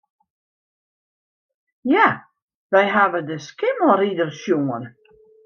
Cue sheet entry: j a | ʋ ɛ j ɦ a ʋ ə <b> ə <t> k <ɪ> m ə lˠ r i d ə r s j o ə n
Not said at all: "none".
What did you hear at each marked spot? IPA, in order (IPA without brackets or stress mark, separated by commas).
d, s, ɪ